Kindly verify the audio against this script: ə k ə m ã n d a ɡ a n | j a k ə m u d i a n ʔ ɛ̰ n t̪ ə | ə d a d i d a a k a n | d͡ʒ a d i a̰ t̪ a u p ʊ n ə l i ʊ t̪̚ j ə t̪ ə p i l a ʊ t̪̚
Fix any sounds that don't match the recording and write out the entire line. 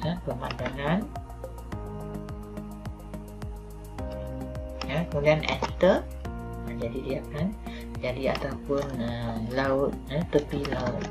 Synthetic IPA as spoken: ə p ə m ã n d a ŋ a n | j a k ə m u d i a n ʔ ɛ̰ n t̪ ə | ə d͡ʒ a d i d i a k a n | d͡ʒ a d i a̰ t̪ a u p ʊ n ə l a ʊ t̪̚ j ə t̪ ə p i l a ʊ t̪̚